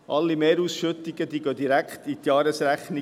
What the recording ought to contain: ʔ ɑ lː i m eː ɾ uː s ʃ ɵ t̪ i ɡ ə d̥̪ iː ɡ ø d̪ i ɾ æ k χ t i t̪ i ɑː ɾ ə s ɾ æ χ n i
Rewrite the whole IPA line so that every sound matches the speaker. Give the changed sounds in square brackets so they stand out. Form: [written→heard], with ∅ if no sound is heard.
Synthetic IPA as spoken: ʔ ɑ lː i m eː ɾ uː s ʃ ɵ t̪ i ɡ ə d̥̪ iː ɡ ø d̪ i ɾ æ k χ t i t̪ [i→j] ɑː ɾ ə s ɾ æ χ n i